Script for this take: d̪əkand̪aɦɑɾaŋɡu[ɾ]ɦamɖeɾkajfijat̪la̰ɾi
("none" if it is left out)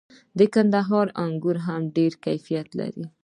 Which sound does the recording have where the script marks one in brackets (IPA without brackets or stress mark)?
ɾ